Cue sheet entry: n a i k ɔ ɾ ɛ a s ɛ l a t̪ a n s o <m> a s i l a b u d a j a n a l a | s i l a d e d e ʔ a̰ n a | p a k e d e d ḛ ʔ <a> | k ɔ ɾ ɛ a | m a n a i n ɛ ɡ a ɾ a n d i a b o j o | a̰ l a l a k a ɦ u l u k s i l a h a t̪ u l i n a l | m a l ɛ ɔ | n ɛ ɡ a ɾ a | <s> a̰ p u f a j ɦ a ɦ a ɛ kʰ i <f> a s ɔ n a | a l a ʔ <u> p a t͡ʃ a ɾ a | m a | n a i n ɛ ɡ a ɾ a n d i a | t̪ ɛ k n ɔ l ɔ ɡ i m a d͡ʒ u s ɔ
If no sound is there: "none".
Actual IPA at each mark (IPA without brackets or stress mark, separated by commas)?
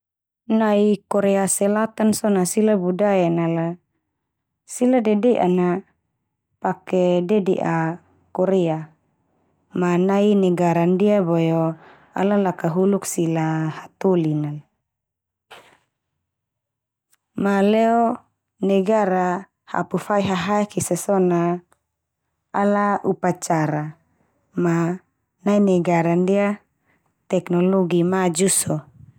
n, a, h, s, u